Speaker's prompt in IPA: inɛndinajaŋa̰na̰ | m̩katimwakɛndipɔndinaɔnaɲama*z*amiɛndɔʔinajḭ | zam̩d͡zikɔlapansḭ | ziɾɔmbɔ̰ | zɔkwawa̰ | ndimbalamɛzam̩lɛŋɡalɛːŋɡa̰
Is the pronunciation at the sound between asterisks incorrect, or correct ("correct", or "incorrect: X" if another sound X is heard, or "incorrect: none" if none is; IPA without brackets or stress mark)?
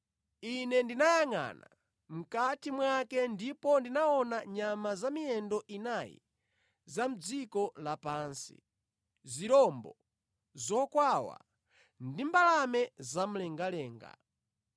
correct